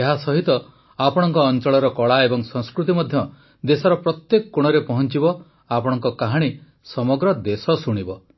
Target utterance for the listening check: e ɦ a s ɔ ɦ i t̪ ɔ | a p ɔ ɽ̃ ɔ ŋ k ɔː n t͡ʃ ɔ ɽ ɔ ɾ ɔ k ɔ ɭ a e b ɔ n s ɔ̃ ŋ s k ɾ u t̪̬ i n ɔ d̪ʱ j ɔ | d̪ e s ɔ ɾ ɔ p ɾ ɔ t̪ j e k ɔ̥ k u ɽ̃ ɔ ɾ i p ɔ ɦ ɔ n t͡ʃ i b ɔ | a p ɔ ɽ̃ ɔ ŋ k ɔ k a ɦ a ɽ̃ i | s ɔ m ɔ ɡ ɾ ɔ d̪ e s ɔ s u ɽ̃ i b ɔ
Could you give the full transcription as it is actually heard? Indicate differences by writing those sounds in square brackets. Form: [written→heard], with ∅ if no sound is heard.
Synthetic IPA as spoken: e ɦ a s ɔ ɦ i t̪ ɔ | a p ɔ ɽ̃ ɔ ŋ k ɔː n t͡ʃ ɔ [ɽ→ɭ] ɔ ɾ ɔ k ɔ ɭ a e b ɔ [n→ŋ] s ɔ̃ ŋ s k ɾ u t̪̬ i [n→m] ɔ d̪ʱ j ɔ | d̪ e s ɔ ɾ ɔ p ɾ ɔ t̪ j e k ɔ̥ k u ɽ̃ ɔ ɾ [i→e] p ɔ ɦ ɔ n t͡ʃ i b ɔ | a p ɔ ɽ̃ ɔ ŋ k ɔ k a ɦ a ɽ̃ i | s ɔ m ɔ ɡ ɾ ɔ d̪ e s ɔ s u ɽ̃ i b ɔ